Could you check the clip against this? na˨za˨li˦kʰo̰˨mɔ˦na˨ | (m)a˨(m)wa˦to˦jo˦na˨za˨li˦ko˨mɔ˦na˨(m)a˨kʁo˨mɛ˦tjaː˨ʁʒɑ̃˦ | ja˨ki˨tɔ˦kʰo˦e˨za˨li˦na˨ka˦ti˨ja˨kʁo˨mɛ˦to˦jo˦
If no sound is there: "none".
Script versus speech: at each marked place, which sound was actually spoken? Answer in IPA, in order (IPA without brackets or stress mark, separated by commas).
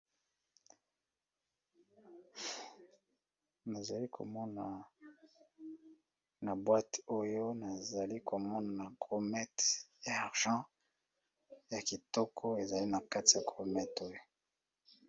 n, b, n